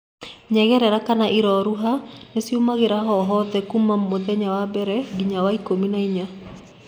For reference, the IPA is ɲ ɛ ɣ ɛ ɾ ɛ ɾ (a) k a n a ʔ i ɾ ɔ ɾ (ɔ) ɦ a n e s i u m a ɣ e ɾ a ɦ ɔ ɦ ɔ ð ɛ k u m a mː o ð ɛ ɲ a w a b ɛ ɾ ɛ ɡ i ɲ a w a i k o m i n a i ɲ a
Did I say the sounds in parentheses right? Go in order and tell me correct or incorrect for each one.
correct, incorrect

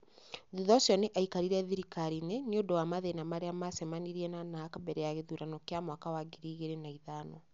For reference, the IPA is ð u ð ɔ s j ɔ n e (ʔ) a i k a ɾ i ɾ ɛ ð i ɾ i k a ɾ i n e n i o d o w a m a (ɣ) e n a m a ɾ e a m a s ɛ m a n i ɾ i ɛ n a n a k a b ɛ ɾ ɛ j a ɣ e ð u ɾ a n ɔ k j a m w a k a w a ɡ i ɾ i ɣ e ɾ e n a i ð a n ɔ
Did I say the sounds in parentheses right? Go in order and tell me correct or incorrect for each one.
correct, incorrect

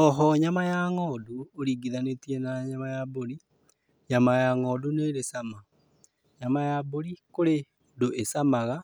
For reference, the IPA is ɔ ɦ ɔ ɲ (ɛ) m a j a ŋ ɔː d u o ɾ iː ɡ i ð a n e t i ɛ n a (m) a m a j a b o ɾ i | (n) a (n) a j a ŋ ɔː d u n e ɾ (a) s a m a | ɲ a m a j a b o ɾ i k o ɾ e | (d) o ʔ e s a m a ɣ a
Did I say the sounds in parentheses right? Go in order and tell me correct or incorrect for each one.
incorrect, incorrect, incorrect, incorrect, incorrect, correct

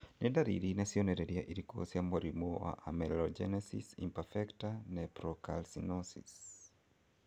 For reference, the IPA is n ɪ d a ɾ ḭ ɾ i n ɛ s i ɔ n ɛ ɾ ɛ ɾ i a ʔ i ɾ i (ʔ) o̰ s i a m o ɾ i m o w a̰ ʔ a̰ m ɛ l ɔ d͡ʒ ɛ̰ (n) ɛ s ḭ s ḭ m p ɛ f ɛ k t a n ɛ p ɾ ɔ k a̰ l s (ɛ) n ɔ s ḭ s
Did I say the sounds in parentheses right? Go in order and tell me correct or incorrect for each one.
incorrect, correct, incorrect

